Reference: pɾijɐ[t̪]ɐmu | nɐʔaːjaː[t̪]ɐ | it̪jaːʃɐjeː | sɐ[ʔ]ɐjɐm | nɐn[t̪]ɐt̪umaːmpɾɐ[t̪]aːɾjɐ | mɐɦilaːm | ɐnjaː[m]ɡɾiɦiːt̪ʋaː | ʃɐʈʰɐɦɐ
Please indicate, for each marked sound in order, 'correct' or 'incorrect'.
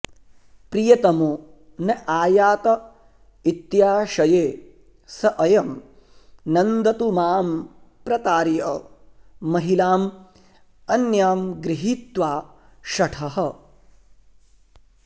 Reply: correct, correct, correct, incorrect, correct, correct

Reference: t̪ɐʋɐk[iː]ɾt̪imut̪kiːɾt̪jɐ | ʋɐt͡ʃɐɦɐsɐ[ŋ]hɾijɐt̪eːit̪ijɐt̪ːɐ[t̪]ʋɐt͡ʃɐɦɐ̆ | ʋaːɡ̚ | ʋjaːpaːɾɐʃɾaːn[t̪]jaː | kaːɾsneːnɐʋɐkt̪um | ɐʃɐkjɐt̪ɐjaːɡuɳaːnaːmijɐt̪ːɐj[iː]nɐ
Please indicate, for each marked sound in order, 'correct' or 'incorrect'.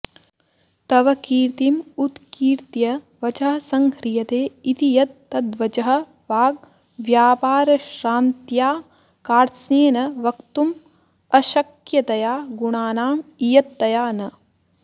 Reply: correct, correct, incorrect, correct, incorrect

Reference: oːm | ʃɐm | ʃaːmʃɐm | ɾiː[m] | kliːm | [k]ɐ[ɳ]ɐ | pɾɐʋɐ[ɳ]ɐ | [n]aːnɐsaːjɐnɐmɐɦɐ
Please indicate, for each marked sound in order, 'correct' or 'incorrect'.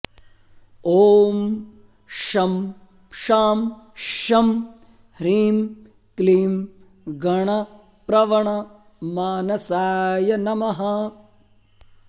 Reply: correct, incorrect, correct, correct, incorrect

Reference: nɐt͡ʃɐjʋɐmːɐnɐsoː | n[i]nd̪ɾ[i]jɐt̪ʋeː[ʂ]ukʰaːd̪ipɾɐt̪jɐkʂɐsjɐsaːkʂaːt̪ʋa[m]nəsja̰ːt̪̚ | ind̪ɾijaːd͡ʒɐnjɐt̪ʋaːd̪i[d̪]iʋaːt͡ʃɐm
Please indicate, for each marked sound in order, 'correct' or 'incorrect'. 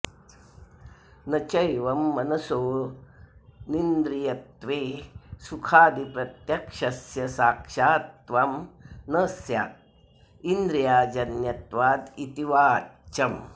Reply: correct, correct, incorrect, correct, incorrect

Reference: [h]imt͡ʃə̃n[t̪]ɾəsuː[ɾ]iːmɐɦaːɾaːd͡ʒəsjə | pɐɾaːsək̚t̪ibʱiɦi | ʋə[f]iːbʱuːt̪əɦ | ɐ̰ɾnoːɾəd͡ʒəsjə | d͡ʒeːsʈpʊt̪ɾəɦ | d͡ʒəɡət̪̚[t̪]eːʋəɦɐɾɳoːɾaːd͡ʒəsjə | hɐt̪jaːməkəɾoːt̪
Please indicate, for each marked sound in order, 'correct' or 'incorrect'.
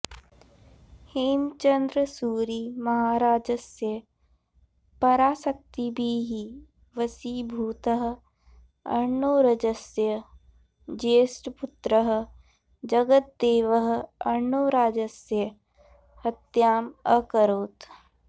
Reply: correct, incorrect, correct, incorrect, incorrect

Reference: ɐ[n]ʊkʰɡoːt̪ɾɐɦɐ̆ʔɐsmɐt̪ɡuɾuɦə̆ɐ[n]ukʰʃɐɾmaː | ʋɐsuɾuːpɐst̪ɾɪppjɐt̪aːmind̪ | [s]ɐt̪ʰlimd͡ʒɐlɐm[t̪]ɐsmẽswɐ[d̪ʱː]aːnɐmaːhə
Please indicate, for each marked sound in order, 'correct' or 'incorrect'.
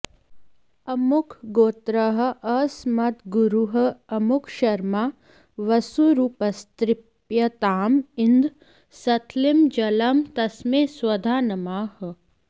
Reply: incorrect, incorrect, correct, correct, incorrect

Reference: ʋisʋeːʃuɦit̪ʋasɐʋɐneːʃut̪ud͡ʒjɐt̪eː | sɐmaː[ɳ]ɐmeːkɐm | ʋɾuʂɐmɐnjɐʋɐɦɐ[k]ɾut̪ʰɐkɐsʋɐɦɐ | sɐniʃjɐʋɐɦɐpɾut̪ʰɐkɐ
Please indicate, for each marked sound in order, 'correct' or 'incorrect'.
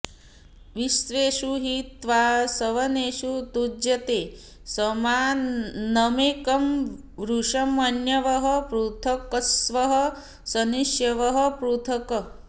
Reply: incorrect, incorrect

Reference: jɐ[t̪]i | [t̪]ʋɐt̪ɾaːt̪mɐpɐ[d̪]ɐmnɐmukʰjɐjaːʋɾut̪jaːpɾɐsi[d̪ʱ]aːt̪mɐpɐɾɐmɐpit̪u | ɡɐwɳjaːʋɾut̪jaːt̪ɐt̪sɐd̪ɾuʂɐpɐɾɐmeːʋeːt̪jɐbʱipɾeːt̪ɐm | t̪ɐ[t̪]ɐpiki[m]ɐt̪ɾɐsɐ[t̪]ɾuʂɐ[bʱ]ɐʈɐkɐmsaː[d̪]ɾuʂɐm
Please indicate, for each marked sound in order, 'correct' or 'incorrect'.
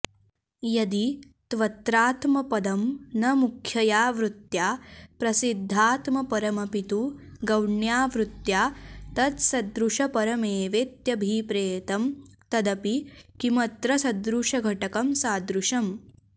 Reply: incorrect, correct, correct, incorrect, incorrect, correct, incorrect, incorrect, correct

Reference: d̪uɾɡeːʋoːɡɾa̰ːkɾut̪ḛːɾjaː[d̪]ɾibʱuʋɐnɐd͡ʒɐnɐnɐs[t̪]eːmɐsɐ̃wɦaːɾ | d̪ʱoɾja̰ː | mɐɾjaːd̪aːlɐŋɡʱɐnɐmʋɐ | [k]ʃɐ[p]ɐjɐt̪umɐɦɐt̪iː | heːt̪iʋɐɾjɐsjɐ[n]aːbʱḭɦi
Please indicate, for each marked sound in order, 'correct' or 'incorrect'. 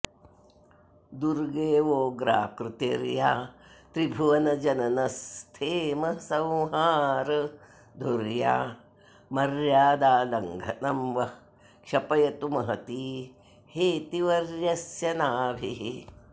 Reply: incorrect, incorrect, correct, correct, correct

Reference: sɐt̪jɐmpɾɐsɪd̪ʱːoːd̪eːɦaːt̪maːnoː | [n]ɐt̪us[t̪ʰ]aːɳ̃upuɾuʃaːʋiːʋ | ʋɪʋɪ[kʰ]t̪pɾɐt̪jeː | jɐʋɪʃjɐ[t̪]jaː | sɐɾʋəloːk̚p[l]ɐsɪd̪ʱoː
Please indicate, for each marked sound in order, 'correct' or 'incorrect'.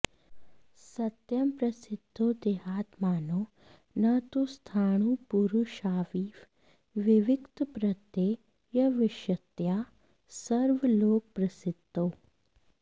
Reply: correct, correct, incorrect, correct, incorrect

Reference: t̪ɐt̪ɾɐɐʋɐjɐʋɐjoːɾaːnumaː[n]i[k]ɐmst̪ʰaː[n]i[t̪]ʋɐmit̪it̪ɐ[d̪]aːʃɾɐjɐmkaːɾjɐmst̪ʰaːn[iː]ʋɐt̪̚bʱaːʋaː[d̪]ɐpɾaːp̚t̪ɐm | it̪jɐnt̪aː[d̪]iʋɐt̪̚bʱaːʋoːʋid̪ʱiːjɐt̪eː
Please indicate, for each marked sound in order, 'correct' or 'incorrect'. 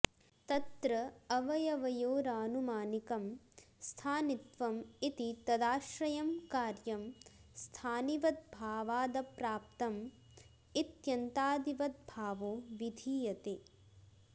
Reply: correct, correct, correct, correct, correct, incorrect, correct, correct

